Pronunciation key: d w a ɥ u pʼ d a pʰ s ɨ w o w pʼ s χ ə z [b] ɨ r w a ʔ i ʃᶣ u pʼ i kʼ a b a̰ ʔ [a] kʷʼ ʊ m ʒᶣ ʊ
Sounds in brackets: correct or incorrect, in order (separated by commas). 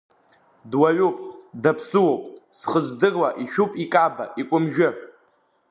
incorrect, incorrect